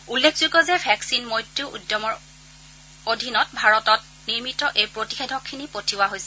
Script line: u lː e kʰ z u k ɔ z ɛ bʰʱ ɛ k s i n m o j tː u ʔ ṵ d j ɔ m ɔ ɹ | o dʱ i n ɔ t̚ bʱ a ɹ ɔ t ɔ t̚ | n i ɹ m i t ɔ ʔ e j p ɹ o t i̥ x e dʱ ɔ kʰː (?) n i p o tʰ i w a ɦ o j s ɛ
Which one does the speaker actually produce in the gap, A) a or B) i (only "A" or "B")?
B